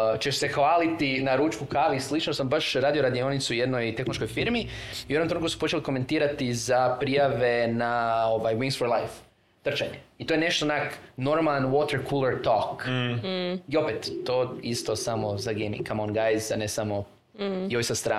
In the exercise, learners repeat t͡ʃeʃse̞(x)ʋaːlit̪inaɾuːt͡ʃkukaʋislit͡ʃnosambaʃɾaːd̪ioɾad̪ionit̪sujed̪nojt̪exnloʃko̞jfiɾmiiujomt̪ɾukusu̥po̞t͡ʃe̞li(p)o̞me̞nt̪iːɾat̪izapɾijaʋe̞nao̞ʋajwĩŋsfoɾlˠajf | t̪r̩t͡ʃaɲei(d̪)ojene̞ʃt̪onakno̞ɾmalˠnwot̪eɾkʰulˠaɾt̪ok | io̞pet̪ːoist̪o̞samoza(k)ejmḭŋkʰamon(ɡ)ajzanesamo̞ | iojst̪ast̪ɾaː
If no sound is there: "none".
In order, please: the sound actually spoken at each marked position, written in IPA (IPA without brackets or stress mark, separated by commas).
x, k, t̪, ɡ, ɡ